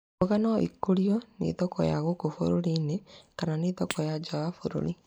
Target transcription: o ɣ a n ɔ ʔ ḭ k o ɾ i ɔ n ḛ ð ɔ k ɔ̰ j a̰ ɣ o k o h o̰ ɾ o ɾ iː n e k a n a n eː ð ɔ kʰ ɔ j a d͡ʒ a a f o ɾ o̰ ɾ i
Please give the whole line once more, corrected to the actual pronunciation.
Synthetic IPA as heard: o ɣ a n ɔ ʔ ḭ k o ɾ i ɔ n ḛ ð ɔ k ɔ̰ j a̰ ɣ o k o f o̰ ɾ o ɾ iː n e k a n a n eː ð ɔ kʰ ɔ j a d͡ʒ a a f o ɾ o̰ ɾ i